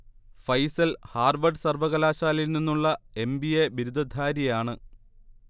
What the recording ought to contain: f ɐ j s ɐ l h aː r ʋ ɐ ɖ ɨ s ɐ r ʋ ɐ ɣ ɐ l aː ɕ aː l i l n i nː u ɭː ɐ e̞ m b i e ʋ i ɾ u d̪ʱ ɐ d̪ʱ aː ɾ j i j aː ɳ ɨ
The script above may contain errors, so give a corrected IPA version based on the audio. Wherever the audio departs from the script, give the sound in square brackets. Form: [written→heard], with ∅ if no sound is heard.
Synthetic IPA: f ɐ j s ɐ l h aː r ʋ ɐ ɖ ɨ s ɐ r ʋ ɐ ɣ ɐ l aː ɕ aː l i l n i nː u ɭː ɐ e̞ m b i e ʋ i ɾ u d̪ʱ ɐ d̪ʱ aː ɾ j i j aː ɳ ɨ